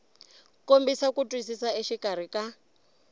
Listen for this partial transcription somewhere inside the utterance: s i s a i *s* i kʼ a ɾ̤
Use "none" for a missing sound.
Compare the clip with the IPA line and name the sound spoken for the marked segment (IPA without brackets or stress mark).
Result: ʃ